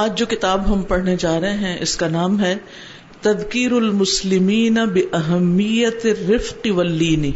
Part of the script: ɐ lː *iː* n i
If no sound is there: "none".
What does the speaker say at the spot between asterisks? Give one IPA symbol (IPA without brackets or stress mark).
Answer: iː